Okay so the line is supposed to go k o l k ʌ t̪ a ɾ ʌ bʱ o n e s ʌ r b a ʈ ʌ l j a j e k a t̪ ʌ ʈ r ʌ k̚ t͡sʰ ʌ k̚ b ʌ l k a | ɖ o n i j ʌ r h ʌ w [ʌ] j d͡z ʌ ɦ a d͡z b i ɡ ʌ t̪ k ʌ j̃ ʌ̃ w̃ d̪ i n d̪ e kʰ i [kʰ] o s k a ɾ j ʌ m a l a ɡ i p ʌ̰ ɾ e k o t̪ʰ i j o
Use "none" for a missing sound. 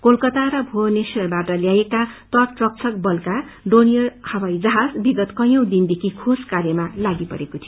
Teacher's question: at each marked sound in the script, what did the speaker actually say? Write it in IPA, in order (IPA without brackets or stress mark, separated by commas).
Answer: a, kʰ